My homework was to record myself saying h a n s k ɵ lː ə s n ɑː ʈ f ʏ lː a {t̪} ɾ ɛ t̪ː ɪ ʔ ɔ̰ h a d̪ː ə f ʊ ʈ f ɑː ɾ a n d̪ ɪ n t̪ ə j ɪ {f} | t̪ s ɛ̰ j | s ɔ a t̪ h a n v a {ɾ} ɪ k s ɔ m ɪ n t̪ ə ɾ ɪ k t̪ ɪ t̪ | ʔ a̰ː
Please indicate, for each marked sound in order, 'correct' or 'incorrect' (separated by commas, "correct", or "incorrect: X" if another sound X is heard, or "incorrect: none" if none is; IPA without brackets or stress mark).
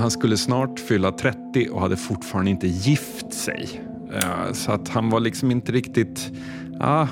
incorrect: t̪ʰ, correct, incorrect: ɭ